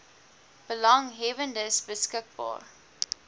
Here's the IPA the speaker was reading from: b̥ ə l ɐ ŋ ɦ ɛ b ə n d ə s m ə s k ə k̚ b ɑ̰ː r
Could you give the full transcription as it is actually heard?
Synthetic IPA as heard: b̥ ə l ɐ ŋ ɦ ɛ v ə n d ə s b ə s k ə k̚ b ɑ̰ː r